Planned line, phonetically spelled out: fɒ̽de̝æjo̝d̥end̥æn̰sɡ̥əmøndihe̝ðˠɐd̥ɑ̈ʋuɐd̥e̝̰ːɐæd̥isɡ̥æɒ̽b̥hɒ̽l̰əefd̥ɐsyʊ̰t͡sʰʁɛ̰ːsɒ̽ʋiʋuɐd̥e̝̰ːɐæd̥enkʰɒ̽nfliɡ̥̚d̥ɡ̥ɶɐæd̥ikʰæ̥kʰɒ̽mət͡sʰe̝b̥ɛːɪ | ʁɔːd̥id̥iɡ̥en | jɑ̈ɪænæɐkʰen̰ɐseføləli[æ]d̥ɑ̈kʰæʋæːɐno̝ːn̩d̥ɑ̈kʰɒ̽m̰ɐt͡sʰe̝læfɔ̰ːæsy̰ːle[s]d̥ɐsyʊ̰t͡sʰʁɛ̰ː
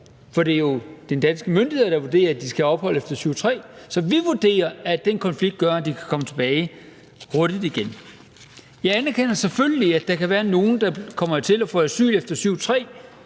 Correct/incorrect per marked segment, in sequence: correct, incorrect: f

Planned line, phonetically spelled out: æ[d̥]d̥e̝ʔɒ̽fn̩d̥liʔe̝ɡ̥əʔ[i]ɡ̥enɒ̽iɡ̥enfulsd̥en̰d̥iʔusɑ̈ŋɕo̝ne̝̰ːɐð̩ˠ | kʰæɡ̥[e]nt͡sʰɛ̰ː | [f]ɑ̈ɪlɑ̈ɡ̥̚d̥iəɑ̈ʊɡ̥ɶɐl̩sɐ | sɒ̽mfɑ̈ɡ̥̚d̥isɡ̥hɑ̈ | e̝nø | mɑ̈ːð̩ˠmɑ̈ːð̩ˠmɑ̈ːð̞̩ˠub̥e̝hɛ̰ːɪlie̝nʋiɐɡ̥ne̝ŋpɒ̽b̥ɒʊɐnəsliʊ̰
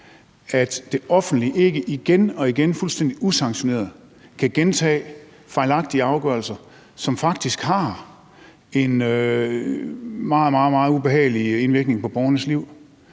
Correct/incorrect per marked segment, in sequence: correct, correct, correct, correct

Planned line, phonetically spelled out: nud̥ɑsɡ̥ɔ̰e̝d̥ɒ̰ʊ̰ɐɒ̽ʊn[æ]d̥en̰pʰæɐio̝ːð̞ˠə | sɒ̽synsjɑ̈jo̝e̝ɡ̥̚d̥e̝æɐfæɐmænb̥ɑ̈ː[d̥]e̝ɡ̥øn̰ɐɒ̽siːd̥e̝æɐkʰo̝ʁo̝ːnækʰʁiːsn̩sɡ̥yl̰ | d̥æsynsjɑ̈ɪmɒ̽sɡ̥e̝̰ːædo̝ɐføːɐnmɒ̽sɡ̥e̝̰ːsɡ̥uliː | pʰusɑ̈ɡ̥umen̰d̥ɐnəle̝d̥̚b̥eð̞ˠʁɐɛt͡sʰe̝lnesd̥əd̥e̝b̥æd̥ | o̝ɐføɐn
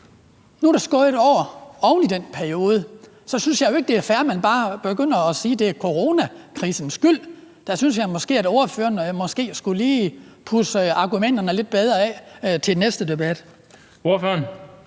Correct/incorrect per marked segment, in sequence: incorrect: i, incorrect: b̥

